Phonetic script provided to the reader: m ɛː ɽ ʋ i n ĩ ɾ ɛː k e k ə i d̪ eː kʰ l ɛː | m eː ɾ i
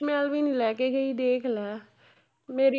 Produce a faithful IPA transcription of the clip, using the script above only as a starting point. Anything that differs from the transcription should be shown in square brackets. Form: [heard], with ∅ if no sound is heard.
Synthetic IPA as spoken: m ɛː [l] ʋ i n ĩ [l] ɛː k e [ɡ] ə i d̪ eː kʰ l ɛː | m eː ɾ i